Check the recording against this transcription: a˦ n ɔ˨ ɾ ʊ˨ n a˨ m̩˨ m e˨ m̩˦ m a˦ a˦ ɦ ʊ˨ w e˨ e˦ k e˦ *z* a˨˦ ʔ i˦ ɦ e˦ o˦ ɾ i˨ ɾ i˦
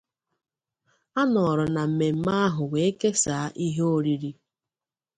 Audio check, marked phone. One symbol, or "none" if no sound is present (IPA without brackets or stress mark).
s